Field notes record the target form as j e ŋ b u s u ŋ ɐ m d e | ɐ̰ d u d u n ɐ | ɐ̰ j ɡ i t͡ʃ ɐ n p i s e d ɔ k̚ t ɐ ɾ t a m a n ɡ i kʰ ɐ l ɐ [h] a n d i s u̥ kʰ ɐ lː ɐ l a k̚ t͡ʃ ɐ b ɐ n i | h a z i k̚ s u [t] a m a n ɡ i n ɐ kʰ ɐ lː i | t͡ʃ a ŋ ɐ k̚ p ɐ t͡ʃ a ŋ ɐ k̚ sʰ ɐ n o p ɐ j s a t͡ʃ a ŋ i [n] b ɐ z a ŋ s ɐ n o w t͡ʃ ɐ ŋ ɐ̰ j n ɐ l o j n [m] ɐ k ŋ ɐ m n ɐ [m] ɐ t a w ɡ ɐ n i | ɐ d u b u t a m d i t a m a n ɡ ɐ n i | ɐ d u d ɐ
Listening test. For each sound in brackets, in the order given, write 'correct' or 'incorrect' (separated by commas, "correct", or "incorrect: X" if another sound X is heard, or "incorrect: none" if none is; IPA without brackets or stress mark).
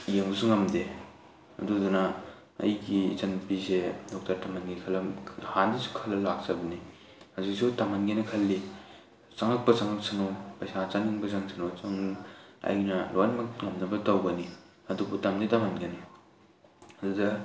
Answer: correct, correct, incorrect: ŋ, correct, incorrect: b